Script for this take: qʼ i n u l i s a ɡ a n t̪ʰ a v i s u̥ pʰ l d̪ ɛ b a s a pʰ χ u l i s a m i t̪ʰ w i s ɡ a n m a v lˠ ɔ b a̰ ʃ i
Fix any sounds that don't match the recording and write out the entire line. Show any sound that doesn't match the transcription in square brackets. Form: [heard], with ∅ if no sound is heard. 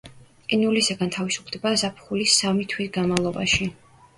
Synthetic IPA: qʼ i n u l i s a ɡ a n t̪ʰ a v i s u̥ pʰ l d̪ ɛ b a [z] a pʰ χ u l i s a m i t̪ʰ w i s ɡ a n m a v lˠ ɔ b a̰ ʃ i